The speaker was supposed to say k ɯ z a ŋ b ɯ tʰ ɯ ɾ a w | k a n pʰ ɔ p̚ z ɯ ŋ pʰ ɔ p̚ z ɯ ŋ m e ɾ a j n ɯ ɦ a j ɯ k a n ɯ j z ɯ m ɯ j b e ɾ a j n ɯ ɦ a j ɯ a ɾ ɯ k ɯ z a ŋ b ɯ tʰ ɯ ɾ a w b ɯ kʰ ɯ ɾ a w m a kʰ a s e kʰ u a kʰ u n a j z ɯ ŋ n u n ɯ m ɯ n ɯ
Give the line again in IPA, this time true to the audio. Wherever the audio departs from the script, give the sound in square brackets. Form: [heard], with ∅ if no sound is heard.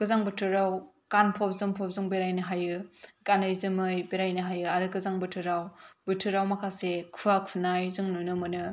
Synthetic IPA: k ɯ z a ŋ b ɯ tʰ ɯ ɾ a w | k a n pʰ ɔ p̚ z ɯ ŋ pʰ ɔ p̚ z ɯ ŋ [b] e ɾ a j n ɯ ɦ a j ɯ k a n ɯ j z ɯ m ɯ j b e ɾ a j n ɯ ɦ a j ɯ a ɾ ɯ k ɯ z a ŋ b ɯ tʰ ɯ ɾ a w b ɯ [tʰ] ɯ ɾ a w m a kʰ a s e kʰ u a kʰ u n a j z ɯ ŋ n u n ɯ m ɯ n ɯ